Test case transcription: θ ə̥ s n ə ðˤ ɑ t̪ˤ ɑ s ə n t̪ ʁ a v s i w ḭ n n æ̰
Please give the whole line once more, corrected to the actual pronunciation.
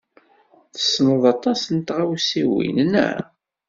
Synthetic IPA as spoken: θ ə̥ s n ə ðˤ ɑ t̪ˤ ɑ s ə n t̪ ʁ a w s i w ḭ n n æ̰